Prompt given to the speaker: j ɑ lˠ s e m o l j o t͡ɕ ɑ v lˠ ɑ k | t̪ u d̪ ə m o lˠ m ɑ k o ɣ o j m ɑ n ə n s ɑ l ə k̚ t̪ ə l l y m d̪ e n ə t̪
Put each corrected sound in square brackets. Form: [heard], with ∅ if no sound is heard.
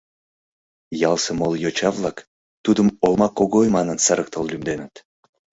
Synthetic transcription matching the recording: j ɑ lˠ s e m o l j o t͡ɕ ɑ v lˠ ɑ k | t̪ u d̪ ə m o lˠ m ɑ k o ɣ o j m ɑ n ə n s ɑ [ɾ] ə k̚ t̪ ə l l y m d̪ e n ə t̪